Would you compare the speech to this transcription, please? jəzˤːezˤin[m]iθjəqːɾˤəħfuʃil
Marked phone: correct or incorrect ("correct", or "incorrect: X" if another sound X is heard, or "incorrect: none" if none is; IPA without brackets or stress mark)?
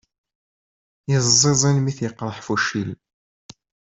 correct